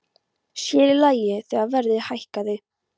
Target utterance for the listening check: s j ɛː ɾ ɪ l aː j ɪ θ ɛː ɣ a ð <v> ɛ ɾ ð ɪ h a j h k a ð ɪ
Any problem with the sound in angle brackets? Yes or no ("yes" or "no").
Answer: no